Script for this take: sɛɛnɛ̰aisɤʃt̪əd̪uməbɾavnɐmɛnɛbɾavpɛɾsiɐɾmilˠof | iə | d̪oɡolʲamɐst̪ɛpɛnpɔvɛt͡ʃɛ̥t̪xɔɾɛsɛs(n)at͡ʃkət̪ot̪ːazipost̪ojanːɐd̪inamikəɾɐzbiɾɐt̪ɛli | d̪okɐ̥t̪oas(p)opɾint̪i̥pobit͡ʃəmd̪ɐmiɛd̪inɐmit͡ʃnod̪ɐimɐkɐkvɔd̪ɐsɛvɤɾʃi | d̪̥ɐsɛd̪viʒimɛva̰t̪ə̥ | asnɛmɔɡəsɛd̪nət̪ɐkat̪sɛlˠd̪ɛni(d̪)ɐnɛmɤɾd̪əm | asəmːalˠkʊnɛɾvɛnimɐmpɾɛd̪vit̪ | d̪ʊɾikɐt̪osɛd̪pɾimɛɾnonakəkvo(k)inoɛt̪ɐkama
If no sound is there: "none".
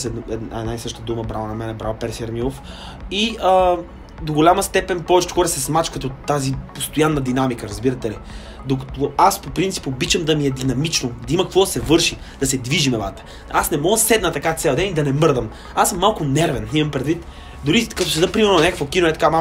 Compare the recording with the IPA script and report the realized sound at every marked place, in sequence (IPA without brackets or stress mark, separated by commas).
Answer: m, p, d̪, k